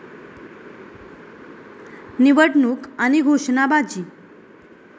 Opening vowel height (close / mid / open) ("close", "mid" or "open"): close